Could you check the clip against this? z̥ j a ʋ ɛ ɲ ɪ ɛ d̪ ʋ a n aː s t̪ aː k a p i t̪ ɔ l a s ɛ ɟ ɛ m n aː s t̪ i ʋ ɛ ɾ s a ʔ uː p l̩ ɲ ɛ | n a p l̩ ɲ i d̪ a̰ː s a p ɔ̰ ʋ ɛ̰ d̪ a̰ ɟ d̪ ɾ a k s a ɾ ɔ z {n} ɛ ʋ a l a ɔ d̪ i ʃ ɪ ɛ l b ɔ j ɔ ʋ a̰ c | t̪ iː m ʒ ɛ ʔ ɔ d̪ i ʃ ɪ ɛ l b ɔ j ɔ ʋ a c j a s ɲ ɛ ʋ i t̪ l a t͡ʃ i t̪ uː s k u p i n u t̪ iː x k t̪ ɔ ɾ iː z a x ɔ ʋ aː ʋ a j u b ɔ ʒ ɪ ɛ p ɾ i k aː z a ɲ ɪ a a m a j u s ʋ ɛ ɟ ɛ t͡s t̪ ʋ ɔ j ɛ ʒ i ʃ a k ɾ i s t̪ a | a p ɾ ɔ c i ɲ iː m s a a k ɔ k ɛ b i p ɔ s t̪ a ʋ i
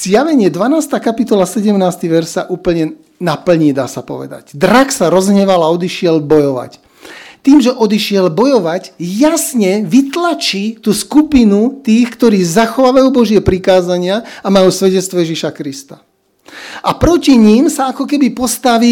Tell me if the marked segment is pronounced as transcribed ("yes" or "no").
no